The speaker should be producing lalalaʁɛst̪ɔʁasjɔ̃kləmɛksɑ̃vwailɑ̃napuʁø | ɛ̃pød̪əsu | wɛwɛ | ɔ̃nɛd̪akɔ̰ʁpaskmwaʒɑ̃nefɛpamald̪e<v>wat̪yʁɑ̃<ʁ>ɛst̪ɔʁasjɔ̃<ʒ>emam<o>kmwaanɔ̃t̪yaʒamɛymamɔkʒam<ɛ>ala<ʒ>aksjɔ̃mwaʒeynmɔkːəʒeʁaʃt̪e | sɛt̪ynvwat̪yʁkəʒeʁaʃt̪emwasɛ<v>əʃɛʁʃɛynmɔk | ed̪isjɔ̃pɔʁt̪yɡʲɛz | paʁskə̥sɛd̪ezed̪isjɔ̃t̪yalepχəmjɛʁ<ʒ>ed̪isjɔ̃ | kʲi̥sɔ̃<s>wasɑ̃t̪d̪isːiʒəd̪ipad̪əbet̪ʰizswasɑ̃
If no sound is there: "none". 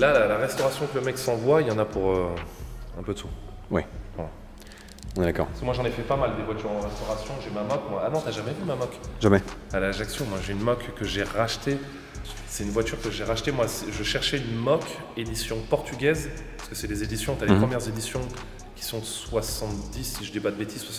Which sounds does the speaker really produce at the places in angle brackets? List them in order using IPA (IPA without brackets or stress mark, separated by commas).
v, ʁ, ʒ, ɔ, ɛ, ʒ, ʒ, z, s